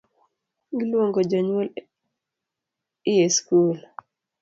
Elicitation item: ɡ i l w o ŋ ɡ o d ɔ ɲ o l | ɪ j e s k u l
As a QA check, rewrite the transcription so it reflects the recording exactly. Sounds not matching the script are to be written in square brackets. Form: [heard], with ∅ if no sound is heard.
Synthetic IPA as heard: ɡ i l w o ŋ ɡ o [d͡ʒ] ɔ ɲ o l | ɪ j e s k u l